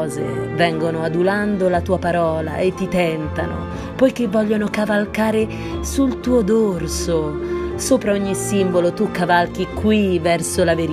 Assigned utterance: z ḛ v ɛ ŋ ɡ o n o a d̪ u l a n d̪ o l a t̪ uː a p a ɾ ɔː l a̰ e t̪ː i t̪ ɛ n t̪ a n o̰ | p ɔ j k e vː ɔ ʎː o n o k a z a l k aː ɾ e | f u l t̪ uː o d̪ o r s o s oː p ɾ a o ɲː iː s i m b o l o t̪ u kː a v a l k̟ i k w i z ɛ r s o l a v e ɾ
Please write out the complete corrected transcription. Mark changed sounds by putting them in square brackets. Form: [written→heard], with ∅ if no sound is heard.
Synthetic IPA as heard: z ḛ v ɛ ŋ ɡ o n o a d̪ u l a n d̪ o l a t̪ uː a p a ɾ ɔː l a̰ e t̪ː i t̪ ɛ n t̪ a n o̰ | p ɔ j k e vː ɔ ʎː o n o k a [z→v] a l k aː ɾ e | [f→s] u l t̪ uː o d̪ o r s o s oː p ɾ a o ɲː [iː→i] s i m b o l o t̪ u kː a v a l k̟ i k w i [z→v] ɛ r s o l a v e ɾ